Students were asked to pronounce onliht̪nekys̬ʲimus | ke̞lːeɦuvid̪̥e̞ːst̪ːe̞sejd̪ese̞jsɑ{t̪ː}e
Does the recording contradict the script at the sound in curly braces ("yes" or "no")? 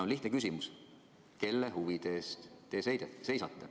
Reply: no